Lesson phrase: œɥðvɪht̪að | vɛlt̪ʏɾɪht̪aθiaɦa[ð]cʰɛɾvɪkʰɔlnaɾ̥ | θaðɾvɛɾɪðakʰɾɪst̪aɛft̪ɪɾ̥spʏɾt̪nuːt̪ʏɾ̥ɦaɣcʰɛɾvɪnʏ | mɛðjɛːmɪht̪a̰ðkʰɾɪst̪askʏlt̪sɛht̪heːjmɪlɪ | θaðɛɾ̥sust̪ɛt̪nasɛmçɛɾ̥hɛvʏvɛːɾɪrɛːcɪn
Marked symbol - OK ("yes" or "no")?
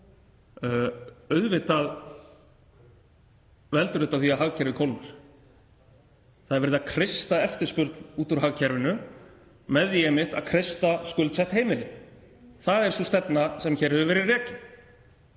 no